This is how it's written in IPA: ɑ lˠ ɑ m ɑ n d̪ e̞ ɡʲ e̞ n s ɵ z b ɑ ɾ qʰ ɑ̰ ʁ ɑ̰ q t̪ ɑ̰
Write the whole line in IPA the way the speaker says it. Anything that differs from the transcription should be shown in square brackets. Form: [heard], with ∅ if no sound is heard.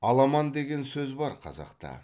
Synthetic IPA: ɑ lˠ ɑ m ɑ n d̪ e̞ ɡʲ e̞ n s ɵ z b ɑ ɾ qʰ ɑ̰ [z] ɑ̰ q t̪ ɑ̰